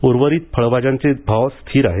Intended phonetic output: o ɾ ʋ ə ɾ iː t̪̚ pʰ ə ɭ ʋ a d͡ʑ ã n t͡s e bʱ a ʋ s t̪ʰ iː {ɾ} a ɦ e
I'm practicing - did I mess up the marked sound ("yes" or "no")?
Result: no